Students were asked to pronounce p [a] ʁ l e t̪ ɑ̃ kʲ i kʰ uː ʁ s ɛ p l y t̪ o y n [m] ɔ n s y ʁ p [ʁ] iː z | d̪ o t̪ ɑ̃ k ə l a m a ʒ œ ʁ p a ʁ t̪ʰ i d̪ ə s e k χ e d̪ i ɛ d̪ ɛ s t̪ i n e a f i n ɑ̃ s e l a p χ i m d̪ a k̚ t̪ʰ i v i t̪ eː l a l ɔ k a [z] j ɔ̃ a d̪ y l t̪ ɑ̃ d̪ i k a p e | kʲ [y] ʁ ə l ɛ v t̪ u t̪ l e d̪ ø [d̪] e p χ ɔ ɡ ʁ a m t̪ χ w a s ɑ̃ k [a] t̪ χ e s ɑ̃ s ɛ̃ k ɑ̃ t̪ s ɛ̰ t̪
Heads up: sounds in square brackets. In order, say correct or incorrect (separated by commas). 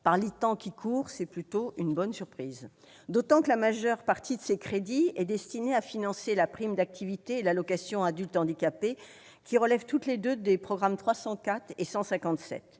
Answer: correct, incorrect, incorrect, incorrect, incorrect, correct, correct